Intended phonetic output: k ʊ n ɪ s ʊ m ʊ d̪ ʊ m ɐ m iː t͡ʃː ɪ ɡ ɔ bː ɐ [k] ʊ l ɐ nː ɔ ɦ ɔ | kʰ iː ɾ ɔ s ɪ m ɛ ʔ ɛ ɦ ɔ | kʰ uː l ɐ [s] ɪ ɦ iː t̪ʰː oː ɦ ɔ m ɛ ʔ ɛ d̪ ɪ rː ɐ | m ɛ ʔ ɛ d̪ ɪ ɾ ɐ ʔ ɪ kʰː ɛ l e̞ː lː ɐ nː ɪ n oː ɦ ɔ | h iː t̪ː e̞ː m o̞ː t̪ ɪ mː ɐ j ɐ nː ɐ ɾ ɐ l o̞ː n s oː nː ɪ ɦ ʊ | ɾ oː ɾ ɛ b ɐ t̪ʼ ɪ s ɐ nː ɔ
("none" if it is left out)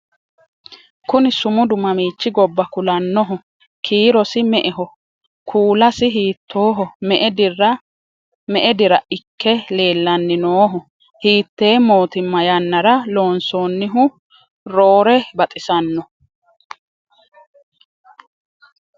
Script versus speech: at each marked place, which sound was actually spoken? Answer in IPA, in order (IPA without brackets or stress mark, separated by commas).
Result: k, s